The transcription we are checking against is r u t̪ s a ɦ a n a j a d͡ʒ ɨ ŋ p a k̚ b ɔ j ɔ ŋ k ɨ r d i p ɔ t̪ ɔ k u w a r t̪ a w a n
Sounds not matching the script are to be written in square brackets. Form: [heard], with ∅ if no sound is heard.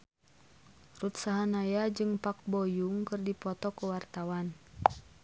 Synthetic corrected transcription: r u t̪ s a ɦ a n a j a d͡ʒ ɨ ŋ p a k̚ b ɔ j [u] ŋ k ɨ r d i p ɔ t̪ ɔ k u w a r t̪ a w a n